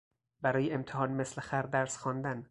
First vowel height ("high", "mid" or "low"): low